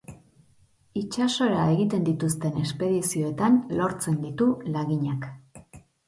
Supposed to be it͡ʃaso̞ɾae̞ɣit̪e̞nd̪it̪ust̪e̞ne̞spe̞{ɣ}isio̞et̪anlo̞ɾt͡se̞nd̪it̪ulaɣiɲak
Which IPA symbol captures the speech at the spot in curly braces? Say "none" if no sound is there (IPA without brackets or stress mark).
ð